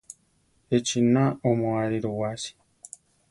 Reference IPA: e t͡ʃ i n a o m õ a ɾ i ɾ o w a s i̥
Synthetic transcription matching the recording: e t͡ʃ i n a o m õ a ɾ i ɾ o w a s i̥